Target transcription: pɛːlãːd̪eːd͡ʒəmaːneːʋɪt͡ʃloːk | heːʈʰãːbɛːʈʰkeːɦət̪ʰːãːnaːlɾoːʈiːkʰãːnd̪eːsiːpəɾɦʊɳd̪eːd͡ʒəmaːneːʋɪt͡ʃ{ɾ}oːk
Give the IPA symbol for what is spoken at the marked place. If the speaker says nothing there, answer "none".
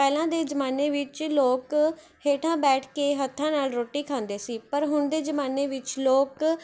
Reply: l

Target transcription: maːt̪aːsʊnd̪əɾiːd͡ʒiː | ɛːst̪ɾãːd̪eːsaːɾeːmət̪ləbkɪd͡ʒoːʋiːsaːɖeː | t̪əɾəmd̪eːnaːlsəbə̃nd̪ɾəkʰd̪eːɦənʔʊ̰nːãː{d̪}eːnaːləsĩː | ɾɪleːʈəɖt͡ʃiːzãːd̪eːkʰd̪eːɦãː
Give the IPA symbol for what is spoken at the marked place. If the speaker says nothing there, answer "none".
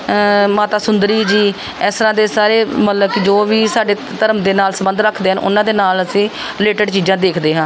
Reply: d̪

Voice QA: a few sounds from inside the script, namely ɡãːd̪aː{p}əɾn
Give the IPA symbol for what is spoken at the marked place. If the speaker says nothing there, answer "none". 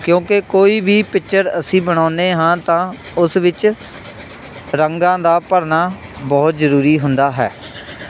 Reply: p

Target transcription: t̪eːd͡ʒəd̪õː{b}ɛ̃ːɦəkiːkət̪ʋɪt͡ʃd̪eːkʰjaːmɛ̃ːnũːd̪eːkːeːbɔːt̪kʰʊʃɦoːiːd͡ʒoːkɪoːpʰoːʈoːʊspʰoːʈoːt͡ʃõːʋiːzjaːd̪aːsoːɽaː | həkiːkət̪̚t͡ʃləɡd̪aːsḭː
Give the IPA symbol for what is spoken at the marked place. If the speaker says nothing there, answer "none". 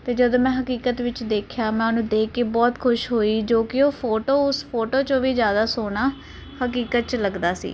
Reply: m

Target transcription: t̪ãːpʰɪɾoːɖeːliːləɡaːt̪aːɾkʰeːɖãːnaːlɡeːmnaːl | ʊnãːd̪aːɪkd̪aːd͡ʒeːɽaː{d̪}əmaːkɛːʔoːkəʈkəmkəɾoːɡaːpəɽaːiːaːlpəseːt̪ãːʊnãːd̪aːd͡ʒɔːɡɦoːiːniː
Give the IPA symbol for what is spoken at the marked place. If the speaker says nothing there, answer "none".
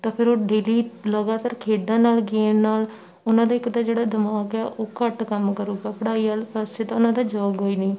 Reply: d̪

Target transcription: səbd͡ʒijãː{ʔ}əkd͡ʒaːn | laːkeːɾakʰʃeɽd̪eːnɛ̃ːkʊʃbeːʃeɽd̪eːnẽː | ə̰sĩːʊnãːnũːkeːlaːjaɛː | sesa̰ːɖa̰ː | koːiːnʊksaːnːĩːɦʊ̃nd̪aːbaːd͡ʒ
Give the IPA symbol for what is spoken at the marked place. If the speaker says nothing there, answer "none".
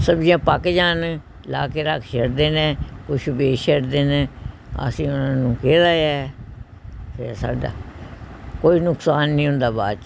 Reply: p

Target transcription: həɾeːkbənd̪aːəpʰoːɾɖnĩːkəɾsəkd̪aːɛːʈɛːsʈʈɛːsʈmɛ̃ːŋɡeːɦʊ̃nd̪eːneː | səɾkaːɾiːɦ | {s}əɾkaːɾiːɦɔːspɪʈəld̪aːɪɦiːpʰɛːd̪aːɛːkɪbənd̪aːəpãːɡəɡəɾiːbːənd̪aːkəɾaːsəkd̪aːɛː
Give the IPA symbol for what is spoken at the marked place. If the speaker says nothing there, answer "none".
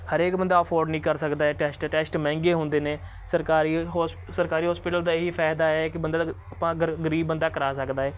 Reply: s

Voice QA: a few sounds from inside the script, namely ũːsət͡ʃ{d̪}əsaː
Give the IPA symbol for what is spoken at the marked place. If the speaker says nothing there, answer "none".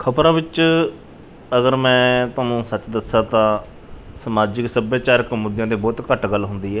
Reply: d̪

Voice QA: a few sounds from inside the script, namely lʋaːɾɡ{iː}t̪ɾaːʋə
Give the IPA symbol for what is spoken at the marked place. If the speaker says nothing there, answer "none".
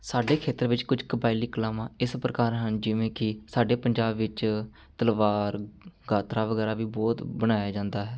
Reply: aː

